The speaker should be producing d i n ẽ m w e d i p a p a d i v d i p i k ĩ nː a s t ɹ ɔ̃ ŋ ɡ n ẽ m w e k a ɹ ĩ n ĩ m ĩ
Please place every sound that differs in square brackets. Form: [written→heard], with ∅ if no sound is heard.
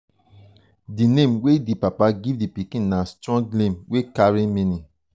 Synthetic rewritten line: d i n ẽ m w e d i p a p a [d→ɡ] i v d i p i k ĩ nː a s t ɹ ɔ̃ ŋ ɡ n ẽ m w e k a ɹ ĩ [n→m] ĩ [m→n] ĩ